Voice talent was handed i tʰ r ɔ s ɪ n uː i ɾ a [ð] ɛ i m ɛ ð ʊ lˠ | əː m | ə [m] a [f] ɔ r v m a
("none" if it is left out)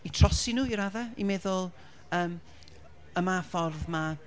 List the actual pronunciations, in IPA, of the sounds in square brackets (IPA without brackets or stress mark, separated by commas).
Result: ð, m, f